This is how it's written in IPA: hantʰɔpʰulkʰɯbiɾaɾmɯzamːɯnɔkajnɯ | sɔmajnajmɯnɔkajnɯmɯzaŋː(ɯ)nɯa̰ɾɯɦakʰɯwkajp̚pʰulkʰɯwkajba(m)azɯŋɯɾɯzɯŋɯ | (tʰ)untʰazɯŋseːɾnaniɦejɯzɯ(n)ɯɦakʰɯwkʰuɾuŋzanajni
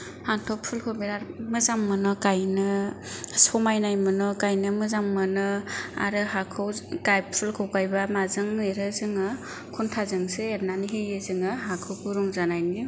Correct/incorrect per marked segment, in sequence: correct, correct, incorrect, incorrect

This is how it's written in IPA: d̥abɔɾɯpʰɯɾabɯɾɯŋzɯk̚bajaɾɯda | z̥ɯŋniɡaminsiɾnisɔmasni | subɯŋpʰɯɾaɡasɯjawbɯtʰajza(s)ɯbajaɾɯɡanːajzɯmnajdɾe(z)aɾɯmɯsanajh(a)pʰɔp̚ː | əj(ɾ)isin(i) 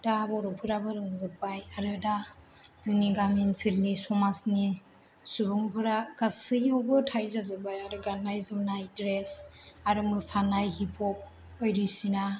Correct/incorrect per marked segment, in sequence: incorrect, incorrect, incorrect, correct, incorrect

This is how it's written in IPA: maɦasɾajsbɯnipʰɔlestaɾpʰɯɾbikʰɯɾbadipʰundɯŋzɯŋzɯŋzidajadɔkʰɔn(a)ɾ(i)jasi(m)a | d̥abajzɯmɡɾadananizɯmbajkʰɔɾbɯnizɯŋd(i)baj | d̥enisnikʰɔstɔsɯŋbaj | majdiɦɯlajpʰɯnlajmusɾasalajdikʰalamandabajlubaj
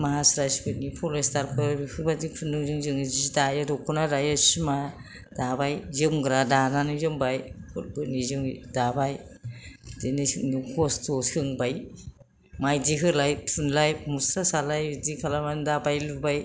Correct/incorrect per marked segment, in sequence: correct, incorrect, correct, incorrect

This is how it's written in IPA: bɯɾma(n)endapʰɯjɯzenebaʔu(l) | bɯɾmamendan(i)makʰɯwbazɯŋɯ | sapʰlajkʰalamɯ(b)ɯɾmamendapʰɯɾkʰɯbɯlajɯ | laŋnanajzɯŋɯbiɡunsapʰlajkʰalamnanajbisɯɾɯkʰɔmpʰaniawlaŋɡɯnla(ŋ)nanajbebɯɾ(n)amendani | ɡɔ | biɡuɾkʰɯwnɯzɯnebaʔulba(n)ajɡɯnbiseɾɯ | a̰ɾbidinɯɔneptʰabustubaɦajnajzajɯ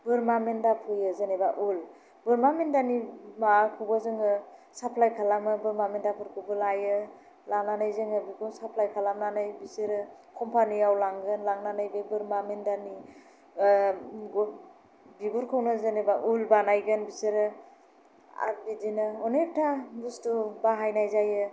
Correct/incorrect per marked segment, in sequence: incorrect, correct, correct, correct, correct, incorrect, correct

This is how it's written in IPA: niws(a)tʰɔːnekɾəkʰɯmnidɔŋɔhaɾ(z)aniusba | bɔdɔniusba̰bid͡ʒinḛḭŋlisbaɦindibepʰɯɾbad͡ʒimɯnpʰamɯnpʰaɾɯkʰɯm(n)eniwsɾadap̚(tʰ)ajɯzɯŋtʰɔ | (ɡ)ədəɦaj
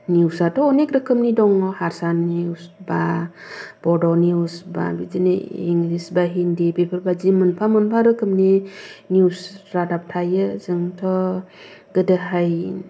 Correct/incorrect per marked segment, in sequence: correct, incorrect, correct, correct, correct

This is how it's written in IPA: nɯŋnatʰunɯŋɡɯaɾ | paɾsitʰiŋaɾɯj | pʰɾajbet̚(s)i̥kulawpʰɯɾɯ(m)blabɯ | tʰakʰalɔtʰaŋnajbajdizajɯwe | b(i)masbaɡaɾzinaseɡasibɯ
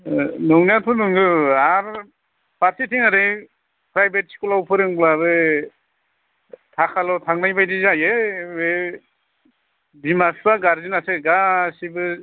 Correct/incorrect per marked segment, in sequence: correct, incorrect, correct

